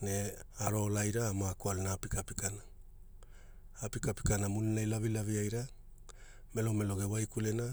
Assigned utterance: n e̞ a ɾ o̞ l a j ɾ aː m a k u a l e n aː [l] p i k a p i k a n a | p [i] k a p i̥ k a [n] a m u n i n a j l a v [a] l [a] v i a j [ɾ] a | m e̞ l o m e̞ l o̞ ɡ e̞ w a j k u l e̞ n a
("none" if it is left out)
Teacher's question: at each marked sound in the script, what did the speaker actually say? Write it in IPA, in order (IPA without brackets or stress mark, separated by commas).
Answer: none, i, n, i, a, ɾ